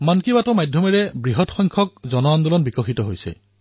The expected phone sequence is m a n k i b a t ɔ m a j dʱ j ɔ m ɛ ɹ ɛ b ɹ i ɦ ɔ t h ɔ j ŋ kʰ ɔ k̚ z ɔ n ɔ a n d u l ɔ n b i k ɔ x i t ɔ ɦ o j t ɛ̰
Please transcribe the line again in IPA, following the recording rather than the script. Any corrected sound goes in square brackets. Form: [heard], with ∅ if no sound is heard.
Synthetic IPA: m a n k i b a t ɔ m a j dʱ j ɔ m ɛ ɹ ɛ b ɹ i ɦ ɔ t [x] ɔ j ŋ kʰ ɔ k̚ z ɔ n ɔ a n d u l ɔ n b i k ɔ x i t ɔ ɦ o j [s] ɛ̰